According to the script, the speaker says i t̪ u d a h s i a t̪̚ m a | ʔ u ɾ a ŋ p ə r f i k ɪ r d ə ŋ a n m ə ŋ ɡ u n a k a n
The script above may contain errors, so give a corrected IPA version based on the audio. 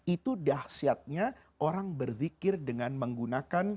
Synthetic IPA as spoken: i t̪ u d a h s i a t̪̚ ɲ a | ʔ o ɾ a ŋ b ə r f i k ɪ r d ə ŋ a n m ə ŋ ɡ u n a k a n